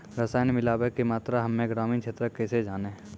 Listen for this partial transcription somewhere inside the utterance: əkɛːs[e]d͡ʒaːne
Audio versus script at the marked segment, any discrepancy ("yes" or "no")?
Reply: no